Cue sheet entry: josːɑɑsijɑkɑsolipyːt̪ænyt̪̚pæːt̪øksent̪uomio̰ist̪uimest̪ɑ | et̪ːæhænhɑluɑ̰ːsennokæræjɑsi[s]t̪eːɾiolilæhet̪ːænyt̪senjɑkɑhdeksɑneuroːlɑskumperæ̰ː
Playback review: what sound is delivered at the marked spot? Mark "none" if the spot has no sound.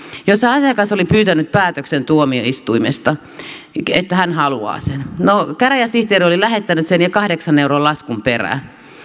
h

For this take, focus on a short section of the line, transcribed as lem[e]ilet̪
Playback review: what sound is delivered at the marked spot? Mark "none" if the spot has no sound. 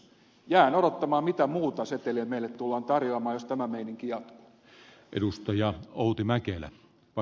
e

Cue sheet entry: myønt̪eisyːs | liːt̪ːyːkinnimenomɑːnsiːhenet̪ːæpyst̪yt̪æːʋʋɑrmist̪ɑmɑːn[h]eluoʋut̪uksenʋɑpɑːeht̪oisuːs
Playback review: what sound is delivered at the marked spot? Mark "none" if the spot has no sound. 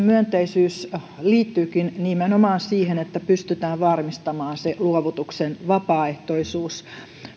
s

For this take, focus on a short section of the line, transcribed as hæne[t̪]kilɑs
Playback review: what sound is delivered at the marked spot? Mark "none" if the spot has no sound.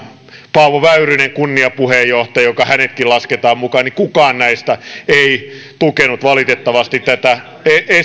t̪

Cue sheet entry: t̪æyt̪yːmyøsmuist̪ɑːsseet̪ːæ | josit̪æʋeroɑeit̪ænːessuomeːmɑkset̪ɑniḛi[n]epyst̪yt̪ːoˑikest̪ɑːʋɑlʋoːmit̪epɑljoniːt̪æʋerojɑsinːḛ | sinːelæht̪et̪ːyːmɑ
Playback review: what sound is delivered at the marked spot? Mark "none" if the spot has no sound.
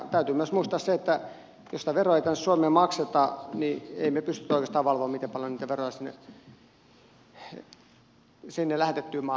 m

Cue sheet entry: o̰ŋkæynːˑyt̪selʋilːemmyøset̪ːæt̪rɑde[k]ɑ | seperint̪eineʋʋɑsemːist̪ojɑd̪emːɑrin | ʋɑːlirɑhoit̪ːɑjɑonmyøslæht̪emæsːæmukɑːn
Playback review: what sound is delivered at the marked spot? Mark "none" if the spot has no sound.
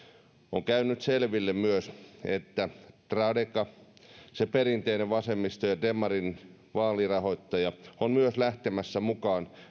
k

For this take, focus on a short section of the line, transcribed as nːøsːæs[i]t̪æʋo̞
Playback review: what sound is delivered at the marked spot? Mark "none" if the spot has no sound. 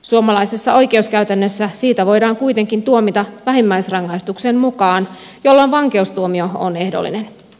iː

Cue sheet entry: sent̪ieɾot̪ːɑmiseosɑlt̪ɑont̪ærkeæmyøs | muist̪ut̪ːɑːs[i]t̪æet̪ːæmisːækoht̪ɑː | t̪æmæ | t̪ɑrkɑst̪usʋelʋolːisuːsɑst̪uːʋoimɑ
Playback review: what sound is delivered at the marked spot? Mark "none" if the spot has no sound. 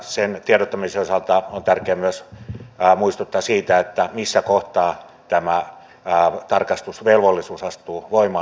iː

